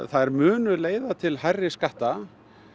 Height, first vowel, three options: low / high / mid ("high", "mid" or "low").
low